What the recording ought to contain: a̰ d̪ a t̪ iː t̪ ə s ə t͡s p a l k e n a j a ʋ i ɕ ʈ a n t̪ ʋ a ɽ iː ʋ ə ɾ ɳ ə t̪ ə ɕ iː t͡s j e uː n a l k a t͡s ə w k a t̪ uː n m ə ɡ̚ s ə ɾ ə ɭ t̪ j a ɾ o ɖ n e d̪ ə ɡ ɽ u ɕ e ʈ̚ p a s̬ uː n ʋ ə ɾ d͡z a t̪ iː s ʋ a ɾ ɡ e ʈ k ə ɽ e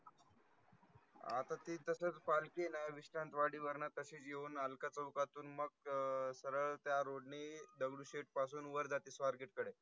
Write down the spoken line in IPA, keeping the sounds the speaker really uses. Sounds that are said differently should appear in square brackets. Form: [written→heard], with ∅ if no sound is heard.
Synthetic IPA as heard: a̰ [d̪→t̪] a t̪ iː t̪ ə s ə t͡s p a l k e n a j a ʋ i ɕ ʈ a n t̪ ʋ a ɽ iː ʋ ə ɾ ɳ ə t̪ ə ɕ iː t͡s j e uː n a l k a t͡s ə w k a t̪ uː n m ə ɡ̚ s ə ɾ ə ɭ t̪ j a ɾ o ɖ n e d̪ ə ɡ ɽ u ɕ e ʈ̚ p a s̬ uː n ʋ ə ɾ d͡z a t̪ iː s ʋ a ɾ ɡ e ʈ k ə ɽ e